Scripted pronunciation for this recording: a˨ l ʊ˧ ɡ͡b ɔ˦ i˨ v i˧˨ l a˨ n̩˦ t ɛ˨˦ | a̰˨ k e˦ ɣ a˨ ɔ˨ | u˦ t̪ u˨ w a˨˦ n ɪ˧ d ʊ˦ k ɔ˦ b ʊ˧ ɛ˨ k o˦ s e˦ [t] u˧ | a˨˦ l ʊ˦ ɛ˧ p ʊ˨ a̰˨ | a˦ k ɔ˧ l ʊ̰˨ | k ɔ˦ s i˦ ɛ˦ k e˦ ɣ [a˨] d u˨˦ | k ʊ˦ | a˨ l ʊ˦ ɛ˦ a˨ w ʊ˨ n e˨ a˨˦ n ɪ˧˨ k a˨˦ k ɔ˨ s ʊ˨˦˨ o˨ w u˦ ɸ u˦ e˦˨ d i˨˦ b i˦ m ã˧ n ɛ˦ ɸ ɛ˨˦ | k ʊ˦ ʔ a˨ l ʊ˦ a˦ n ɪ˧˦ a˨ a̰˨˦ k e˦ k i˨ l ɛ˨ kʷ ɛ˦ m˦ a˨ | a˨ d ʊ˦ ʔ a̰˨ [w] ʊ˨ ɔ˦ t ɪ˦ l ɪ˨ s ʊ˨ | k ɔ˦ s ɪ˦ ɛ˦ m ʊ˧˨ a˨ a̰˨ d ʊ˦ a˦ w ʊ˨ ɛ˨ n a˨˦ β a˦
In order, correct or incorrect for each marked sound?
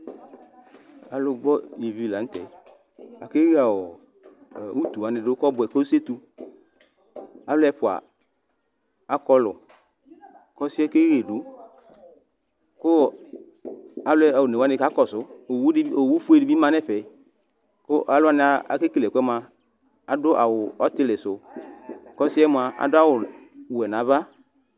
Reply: correct, incorrect: e˨, correct

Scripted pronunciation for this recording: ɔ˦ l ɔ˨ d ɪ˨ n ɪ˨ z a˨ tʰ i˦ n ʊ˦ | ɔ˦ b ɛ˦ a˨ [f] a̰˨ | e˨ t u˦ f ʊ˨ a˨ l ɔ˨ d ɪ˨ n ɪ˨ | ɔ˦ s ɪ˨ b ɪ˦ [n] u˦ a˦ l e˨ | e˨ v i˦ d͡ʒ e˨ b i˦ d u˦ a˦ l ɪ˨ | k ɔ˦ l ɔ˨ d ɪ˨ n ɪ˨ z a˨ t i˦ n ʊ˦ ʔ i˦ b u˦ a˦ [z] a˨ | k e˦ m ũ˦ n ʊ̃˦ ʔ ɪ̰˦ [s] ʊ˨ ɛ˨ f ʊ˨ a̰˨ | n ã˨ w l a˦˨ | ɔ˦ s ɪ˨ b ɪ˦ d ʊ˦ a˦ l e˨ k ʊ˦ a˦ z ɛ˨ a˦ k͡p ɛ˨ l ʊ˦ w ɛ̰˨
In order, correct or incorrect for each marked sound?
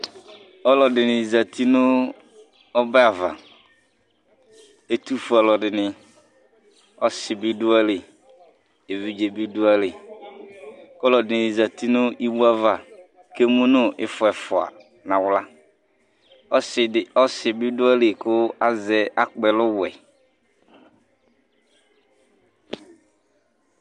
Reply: incorrect: v, incorrect: d, incorrect: v, incorrect: f

